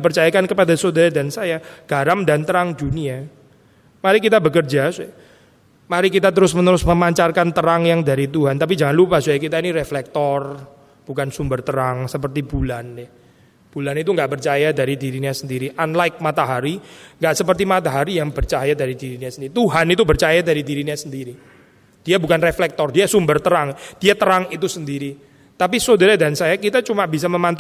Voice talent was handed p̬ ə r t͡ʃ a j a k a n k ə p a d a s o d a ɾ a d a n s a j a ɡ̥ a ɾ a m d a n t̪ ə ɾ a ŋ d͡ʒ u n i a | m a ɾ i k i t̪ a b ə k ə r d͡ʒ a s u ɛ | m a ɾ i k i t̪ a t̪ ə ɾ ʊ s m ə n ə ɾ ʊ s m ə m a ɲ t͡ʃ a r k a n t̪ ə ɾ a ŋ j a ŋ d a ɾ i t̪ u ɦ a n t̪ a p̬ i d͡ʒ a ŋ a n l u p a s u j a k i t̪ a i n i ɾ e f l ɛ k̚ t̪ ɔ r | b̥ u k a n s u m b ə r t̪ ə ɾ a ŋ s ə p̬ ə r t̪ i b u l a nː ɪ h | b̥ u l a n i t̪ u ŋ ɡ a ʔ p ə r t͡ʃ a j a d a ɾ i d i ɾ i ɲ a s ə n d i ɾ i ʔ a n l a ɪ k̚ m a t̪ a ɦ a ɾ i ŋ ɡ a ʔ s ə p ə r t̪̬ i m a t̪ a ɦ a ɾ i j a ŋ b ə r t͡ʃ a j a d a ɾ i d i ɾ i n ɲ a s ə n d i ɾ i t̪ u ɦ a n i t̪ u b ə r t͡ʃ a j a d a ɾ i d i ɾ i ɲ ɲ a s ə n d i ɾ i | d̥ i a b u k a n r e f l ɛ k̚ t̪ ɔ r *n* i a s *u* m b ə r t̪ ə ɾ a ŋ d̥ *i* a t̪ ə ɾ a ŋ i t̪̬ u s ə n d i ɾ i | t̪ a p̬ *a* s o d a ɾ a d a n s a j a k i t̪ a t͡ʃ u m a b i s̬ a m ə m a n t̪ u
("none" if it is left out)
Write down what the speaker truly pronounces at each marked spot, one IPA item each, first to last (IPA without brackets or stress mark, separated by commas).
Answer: d, u, i, i